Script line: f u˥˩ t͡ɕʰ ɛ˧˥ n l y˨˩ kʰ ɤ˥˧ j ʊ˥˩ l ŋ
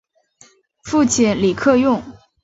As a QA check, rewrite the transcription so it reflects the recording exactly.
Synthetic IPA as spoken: f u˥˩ t͡ɕʰ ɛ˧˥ n l i˨˩ kʰ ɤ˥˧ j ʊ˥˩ ŋ